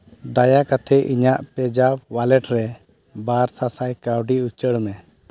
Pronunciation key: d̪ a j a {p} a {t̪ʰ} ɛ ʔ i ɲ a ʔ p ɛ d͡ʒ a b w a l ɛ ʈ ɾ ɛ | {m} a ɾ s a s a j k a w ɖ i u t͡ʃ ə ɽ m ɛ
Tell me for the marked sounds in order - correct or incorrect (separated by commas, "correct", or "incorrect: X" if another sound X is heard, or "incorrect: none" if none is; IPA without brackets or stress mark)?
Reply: incorrect: k, correct, incorrect: b